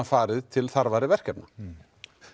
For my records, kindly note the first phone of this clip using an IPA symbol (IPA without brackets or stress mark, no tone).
a